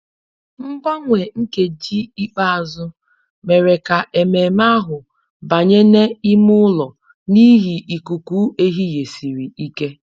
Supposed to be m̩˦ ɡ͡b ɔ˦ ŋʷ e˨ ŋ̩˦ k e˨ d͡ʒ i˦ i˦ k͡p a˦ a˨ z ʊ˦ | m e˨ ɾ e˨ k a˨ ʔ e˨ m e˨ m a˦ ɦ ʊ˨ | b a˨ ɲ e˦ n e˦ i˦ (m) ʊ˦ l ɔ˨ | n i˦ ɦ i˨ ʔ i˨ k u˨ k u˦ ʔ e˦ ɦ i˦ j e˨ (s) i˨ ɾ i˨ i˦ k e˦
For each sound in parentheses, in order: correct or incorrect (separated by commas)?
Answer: correct, correct